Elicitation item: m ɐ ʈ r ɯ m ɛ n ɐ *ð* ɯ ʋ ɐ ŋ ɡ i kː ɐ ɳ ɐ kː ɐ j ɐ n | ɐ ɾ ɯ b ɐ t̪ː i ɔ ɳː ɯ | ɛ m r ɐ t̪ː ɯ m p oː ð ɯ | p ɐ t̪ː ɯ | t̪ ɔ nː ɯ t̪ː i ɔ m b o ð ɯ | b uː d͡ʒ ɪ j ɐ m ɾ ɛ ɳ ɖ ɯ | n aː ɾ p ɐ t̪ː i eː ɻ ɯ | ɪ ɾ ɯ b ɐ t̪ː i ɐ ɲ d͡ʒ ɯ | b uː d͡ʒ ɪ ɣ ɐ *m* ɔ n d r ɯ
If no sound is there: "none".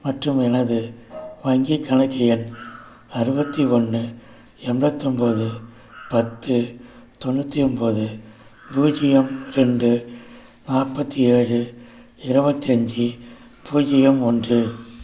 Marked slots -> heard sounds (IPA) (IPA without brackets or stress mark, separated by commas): ð, m